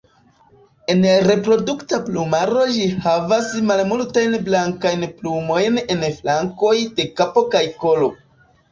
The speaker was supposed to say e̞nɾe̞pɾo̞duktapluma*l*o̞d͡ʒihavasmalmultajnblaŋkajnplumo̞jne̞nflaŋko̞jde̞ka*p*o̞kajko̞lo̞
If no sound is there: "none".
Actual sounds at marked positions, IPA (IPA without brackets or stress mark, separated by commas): ɾ, p